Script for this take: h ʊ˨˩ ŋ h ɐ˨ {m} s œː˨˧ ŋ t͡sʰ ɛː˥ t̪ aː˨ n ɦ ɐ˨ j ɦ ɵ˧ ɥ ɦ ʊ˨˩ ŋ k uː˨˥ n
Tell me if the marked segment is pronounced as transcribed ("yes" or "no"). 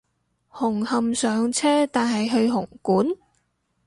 yes